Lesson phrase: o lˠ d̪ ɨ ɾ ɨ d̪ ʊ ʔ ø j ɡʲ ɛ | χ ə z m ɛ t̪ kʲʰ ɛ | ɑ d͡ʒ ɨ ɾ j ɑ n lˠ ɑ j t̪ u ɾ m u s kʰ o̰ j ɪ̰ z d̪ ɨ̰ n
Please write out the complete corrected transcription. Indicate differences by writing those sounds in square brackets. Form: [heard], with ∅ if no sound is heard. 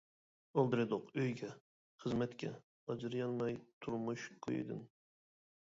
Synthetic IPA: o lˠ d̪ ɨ ɾ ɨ d̪ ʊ [q] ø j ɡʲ ɛ | χ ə z m ɛ t̪ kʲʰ ɛ | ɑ d͡ʒ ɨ ɾ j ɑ n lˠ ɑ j [t̪ʰ] u ɾ m u [ʃ] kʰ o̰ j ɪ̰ [∅] d̪ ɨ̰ n